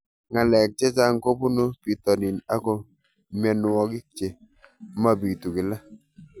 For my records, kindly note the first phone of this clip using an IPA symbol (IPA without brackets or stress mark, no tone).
ŋ